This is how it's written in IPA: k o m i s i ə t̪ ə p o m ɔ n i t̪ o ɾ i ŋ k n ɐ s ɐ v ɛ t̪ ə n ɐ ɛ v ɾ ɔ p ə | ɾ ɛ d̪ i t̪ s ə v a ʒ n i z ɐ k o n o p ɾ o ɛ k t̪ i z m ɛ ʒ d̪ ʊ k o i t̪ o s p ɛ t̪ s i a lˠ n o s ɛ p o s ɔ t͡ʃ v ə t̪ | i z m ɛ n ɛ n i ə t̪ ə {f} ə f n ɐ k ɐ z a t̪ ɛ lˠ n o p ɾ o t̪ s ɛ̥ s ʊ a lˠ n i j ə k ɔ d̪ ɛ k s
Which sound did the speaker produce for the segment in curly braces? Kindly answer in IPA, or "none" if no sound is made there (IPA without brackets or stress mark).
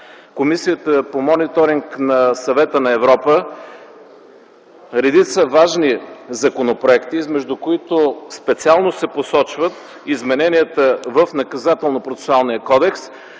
v